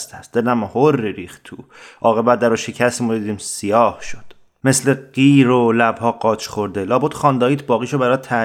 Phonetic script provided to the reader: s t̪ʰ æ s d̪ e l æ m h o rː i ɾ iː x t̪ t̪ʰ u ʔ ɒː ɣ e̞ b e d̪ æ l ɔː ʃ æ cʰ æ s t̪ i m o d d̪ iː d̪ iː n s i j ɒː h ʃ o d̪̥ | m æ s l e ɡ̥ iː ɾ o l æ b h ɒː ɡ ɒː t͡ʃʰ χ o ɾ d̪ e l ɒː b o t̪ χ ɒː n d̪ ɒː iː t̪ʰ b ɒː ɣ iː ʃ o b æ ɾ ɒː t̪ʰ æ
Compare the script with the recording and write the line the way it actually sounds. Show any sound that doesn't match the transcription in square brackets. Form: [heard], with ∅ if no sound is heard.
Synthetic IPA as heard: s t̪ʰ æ s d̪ e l æ m h o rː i ɾ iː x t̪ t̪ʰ u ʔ ɒː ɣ e̞ b [æ] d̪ æ [ɾ] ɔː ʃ [e] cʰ æ s t̪ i m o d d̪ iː d̪ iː [m] s i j ɒː h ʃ o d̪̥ | m [e] s l e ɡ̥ iː ɾ o l æ b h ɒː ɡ ɒː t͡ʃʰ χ o ɾ d̪ e l ɒː b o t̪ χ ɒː n d̪ ɒː iː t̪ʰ b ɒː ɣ iː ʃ o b æ ɾ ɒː t̪ʰ æ